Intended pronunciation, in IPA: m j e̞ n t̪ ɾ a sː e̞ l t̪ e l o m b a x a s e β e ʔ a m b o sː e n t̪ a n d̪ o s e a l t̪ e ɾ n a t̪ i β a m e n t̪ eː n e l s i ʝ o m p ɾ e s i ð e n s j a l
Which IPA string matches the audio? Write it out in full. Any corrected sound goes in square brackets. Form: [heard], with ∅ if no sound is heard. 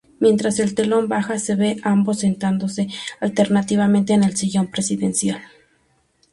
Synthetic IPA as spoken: m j e̞ n t̪ ɾ a [s] e̞ l t̪ e l o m b a x a s e β e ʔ a m b o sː e n t̪ a n d̪ o s e a l t̪ e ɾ n a t̪ i β a m e n t̪ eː n e l s i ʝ o m p ɾ e s i ð e n s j a l